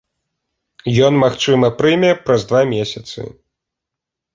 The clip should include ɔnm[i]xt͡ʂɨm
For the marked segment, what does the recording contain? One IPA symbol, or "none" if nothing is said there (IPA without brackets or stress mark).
a